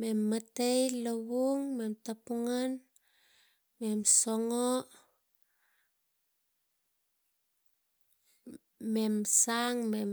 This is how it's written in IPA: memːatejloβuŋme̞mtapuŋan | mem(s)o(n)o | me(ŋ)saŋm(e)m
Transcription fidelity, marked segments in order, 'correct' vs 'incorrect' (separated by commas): correct, incorrect, incorrect, correct